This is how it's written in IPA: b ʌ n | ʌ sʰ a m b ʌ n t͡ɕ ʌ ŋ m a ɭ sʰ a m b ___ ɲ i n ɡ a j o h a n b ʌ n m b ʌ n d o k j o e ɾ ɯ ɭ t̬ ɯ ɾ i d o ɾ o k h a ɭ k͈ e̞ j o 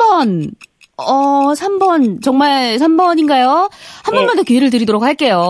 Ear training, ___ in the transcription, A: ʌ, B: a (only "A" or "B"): A